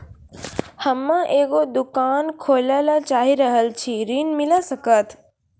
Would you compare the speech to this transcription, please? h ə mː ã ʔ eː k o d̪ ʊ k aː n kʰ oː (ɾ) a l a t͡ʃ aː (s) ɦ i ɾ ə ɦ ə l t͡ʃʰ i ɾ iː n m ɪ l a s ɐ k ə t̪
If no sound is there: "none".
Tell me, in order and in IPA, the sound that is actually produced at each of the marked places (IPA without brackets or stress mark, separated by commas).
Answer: l, none